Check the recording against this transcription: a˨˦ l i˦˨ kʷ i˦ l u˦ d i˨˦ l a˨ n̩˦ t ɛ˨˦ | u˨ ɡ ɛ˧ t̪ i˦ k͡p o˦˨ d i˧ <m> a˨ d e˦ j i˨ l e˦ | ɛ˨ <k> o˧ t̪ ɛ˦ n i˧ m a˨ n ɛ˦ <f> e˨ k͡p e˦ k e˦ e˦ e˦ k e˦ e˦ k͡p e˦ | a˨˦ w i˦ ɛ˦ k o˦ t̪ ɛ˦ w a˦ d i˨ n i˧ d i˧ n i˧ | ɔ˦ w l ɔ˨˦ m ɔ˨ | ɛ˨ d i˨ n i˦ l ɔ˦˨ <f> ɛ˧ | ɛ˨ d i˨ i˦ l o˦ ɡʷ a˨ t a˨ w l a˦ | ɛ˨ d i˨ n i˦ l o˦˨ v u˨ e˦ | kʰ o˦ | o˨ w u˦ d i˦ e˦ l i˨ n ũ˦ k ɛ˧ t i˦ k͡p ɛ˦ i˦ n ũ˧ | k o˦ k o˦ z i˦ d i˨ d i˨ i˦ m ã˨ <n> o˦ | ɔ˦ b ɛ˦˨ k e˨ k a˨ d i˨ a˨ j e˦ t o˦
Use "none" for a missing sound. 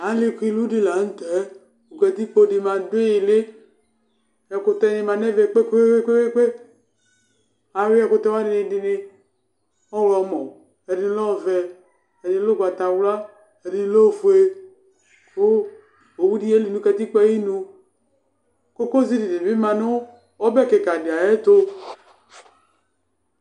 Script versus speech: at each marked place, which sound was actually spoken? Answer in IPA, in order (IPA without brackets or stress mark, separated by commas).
m, k, v, v, n